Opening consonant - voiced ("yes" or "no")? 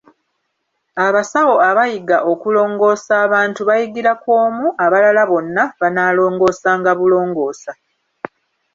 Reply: yes